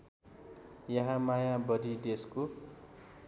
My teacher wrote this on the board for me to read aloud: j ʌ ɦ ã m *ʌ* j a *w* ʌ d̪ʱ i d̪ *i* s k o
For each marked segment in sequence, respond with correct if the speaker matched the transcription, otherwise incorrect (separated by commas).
incorrect, incorrect, incorrect